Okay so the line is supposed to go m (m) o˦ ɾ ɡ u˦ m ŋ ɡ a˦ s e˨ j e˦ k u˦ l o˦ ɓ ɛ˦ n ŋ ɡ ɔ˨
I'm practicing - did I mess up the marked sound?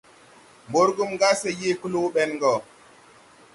yes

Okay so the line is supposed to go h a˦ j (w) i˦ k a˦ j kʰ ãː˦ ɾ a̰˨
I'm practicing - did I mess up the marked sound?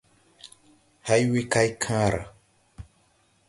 no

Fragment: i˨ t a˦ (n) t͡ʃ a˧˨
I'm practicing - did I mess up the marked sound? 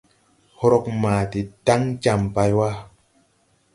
yes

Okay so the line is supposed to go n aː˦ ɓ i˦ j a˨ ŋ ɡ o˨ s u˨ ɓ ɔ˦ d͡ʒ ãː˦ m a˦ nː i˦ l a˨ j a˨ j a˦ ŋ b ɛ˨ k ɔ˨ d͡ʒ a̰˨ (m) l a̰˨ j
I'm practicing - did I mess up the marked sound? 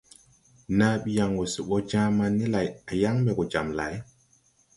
no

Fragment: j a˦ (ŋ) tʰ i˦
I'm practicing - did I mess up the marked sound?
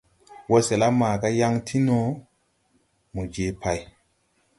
no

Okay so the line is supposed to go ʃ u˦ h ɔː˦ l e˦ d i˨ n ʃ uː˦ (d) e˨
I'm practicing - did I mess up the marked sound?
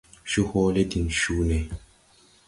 yes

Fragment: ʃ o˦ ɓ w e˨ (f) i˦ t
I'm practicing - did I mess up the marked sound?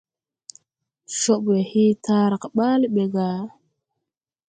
yes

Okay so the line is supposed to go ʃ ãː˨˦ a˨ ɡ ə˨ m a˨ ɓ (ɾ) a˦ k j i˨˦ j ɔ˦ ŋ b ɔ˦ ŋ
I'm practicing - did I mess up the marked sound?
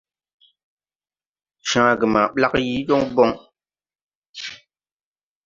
yes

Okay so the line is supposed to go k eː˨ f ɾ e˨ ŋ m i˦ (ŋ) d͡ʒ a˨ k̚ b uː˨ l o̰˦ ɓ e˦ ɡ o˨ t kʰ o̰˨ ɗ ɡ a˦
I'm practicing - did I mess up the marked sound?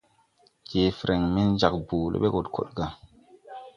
yes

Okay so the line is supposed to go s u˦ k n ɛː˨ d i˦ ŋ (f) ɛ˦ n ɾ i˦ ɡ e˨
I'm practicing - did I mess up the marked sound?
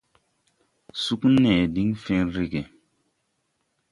no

